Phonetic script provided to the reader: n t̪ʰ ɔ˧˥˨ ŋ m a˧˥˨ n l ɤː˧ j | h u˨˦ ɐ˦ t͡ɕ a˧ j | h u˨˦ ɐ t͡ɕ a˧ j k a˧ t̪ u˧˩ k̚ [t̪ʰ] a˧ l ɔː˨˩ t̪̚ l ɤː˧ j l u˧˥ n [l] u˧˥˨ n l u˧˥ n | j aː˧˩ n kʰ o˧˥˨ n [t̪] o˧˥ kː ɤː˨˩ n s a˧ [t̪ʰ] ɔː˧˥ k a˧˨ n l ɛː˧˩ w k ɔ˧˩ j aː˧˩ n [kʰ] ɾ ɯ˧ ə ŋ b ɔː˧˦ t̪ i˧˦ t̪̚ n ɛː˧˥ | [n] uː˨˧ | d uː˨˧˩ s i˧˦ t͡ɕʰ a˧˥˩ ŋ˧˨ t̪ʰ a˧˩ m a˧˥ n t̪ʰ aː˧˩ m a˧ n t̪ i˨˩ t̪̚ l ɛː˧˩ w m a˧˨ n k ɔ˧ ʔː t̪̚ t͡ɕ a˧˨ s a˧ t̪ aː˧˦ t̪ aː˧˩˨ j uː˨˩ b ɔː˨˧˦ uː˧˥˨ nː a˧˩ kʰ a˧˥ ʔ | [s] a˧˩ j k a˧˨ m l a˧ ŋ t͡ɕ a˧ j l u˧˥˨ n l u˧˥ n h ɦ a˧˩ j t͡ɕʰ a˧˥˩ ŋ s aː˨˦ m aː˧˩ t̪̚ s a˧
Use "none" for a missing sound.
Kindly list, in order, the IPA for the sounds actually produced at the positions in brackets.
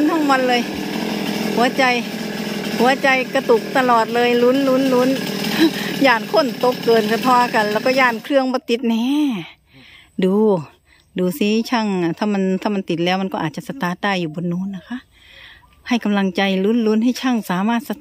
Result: t̪, l, t̪, t̪ʰ, kʰ, d, h

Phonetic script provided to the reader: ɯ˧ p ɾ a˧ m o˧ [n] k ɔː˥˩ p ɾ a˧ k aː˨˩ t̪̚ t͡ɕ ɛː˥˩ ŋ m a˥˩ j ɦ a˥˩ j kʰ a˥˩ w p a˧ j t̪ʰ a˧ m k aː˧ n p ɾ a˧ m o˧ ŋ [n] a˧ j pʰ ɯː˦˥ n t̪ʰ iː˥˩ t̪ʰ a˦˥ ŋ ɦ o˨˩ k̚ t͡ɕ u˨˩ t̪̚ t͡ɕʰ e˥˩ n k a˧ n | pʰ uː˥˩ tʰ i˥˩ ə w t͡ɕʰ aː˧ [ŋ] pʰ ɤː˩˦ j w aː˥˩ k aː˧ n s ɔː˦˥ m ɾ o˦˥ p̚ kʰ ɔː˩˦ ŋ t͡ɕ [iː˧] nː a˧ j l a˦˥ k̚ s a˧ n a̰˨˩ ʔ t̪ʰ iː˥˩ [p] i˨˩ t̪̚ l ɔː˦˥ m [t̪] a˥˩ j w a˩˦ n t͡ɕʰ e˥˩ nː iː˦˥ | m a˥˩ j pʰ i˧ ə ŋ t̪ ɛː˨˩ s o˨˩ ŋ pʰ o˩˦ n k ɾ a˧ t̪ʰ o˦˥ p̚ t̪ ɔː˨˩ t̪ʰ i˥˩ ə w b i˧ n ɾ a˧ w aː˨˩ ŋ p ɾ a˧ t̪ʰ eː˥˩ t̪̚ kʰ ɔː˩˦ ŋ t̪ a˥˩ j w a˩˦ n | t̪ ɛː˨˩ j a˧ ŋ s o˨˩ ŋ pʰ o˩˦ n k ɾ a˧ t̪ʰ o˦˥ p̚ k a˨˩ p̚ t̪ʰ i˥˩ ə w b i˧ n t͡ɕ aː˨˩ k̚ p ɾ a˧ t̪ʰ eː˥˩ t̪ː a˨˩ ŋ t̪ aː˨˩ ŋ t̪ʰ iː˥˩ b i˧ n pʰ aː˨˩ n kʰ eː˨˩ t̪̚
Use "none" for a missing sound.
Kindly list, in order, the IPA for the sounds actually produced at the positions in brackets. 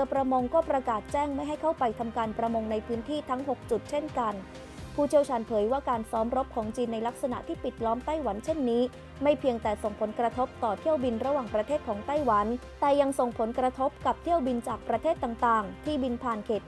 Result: ŋ, n, n, iː˧, p, t̪

